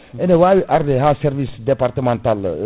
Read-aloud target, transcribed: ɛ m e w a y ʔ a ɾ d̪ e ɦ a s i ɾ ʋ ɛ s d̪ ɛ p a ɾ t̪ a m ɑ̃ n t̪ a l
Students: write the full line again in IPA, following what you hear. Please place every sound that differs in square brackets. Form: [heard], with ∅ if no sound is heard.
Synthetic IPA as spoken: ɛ [n] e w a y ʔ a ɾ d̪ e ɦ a s [ɛ] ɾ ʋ [i] s d̪ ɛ p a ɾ t̪ [ə] m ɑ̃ n t̪ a l

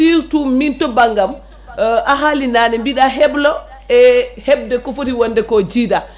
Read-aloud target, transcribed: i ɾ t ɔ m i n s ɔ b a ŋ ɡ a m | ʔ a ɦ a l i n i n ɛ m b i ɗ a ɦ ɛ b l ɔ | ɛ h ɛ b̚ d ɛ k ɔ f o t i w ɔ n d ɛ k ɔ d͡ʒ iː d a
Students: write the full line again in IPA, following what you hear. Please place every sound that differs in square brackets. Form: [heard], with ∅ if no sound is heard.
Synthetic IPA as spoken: i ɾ t [u] m i n [t] ɔ b a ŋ ɡ a m | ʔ a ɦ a l i n [a] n ɛ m b i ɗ a ɦ ɛ b l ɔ | ɛ h ɛ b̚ d ɛ k ɔ f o t i w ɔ n d ɛ k ɔ d͡ʒ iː d a

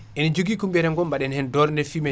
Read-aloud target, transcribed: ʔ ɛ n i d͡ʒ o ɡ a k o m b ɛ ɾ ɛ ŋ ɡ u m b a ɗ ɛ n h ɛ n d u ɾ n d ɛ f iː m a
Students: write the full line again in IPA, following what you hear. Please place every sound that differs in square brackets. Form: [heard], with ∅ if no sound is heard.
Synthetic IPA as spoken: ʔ ɛ n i d͡ʒ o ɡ [i] k [u] m b ɛ ɾ ɛ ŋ ɡ [ɔ] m b a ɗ ɛ n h ɛ n d [ɔ] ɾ n d ɛ f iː m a

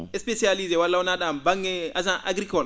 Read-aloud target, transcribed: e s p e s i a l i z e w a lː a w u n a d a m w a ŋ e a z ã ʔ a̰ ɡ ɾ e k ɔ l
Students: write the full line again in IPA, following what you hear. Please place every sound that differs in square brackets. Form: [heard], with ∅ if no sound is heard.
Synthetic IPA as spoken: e s p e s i a l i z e w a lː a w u n a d a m [b] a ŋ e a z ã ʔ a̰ ɡ ɾ [i] k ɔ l

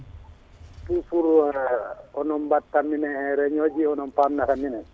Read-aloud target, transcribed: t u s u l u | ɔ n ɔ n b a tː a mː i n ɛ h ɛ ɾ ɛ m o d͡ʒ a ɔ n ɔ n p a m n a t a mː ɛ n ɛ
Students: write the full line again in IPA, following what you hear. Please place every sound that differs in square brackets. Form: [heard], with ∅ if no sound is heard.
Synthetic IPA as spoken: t u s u [ɾ] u | ɔ n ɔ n b a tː a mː i n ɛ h ɛ ɾ ɛ [ɲ] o d͡ʒ [i] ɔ n ɔ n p a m n a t a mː [i] n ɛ

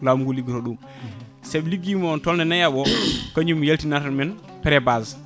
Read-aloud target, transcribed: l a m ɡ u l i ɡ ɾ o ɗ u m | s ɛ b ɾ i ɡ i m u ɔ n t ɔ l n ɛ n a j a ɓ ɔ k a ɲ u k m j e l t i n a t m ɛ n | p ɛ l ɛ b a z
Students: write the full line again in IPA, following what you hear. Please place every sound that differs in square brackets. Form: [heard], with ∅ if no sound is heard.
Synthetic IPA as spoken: l a m ɡ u l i ɡ ɾ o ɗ u m | s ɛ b [l] i ɡ i m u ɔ n t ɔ l n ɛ n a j a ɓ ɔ k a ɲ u [∅] m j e l t i n a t m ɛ n | p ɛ [ɾ] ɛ b a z

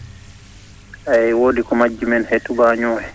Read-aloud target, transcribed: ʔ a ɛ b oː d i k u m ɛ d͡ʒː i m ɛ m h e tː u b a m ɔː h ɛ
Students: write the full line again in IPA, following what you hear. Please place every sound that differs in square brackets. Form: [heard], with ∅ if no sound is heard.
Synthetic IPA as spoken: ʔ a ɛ [w] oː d i k [ɔ] m [a] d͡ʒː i m ɛ [n] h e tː u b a [ɲ] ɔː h ɛ

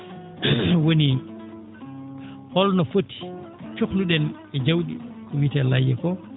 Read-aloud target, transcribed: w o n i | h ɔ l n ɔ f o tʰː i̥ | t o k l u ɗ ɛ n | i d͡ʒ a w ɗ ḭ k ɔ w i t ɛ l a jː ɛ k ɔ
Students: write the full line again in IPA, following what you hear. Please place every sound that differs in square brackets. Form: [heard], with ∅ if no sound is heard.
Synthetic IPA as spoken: w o n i | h ɔ l n ɔ f o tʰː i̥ | [t͡ʃ] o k l u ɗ ɛ n | [ɛ] d͡ʒ a w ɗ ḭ k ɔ w i t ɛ l a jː ɛ k ɔ

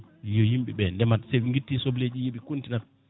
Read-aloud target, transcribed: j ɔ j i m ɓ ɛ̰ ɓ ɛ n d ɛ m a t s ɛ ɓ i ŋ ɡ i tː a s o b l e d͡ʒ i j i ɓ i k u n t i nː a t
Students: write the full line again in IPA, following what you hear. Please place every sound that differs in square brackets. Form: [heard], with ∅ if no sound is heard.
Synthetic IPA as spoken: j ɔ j i m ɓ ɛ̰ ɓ ɛ n d ɛ m a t s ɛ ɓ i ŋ ɡ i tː [i] s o b l e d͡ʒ i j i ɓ i k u n t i [n] a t

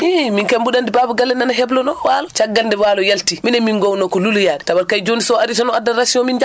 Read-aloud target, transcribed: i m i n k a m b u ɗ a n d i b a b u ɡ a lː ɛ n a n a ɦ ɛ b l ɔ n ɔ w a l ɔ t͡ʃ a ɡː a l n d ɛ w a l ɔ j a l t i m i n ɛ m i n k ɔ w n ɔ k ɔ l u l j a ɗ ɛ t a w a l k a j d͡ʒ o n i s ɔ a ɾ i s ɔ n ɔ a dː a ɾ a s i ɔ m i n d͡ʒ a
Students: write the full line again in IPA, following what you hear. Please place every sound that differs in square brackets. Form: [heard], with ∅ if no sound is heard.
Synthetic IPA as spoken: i m i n k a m b u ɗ a n d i b a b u ɡ a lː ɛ n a n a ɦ ɛ b l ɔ n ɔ w a l ɔ t͡ʃ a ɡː a l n d ɛ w a l ɔ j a l t i m i n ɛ m i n [ɡ] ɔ w n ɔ k ɔ l u l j a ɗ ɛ t a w a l k a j d͡ʒ o n i s ɔ a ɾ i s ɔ n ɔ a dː a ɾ a s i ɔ m i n d͡ʒ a

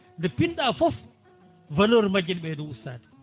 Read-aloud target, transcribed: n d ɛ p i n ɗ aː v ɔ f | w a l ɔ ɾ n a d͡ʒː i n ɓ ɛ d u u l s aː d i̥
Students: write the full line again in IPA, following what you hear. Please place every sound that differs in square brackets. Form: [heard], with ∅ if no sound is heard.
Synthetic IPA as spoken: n d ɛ p i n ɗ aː [f] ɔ f | [v] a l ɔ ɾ [m] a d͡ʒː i n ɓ ɛ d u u [∅] s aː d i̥

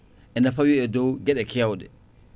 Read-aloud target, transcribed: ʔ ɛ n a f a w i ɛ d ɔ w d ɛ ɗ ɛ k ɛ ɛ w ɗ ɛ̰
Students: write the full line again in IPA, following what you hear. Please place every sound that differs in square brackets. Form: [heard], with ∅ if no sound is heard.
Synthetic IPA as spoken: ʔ ɛ n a f a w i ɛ d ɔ w [ɡ] ɛ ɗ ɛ k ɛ [a] w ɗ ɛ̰

